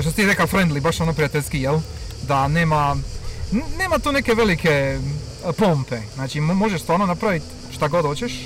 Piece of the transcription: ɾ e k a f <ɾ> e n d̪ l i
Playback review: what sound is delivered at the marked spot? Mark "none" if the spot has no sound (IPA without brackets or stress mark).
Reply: ɾ